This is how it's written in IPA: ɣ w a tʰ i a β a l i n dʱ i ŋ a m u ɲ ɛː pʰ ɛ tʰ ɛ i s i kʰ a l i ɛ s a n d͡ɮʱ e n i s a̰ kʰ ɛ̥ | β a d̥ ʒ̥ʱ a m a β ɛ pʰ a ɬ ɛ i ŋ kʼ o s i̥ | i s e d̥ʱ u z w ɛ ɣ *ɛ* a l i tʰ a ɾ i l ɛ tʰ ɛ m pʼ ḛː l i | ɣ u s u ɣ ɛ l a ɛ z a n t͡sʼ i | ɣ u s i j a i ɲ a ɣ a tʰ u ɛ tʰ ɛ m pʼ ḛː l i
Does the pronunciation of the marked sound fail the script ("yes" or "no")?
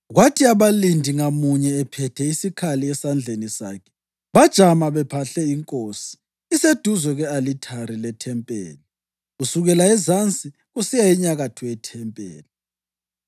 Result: no